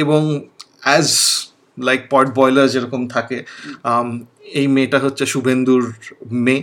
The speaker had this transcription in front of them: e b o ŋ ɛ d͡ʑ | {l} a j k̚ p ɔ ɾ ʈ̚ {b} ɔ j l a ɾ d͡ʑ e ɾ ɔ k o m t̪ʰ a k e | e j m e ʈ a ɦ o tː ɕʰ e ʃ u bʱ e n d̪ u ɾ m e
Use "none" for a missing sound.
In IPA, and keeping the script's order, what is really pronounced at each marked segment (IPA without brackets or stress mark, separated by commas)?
l, b